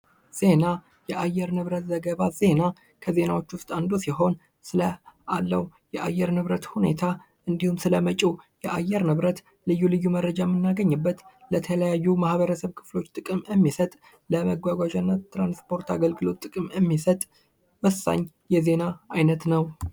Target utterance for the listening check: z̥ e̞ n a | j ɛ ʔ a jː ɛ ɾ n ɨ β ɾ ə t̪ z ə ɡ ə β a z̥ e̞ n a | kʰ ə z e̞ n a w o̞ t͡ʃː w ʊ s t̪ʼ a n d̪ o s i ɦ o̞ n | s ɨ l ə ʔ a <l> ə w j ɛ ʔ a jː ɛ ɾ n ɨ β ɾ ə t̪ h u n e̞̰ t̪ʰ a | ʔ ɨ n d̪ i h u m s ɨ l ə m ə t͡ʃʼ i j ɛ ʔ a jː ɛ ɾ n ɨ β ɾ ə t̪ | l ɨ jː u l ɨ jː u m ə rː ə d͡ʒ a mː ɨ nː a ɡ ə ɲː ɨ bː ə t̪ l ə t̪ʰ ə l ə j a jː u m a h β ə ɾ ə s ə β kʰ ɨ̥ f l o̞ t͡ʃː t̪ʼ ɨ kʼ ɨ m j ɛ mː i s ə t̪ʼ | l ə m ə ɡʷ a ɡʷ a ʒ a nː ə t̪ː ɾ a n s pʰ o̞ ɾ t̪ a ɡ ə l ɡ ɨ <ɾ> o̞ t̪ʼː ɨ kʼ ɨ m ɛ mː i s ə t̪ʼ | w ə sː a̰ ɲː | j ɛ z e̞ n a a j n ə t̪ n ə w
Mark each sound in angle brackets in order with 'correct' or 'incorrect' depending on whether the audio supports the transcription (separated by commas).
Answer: incorrect, incorrect